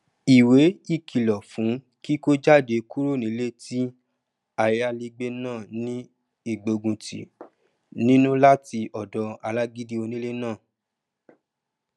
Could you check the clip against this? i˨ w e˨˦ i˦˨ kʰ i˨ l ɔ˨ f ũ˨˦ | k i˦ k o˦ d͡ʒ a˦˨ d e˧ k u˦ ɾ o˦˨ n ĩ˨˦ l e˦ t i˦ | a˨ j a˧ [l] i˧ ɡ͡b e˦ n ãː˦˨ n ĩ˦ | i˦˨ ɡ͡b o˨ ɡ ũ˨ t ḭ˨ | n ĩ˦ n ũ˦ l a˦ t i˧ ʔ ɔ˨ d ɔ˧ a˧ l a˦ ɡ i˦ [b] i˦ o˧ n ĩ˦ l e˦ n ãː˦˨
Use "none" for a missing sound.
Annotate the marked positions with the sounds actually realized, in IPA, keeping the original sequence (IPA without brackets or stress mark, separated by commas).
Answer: l, d